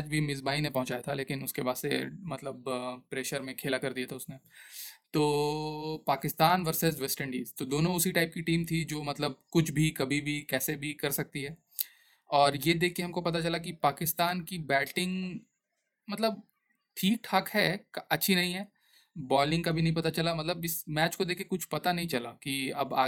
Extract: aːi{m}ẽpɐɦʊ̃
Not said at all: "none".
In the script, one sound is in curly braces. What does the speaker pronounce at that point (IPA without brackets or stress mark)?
n